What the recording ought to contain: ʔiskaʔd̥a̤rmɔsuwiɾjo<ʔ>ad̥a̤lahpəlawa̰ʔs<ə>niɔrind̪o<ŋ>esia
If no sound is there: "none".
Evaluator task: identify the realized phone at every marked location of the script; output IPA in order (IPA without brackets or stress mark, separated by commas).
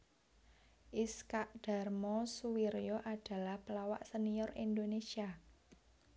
ʔ, ə, n